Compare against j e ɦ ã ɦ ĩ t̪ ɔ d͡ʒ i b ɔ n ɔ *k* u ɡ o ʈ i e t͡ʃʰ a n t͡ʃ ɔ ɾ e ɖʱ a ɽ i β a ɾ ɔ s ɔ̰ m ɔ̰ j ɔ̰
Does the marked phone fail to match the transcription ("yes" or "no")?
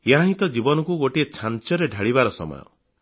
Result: no